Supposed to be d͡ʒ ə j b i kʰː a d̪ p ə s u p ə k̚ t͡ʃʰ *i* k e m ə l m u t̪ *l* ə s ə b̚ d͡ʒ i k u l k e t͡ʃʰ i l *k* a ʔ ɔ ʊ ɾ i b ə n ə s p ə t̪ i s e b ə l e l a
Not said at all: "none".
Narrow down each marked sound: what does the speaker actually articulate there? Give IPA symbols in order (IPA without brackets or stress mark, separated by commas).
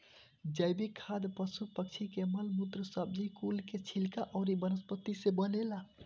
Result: i, ɾ, k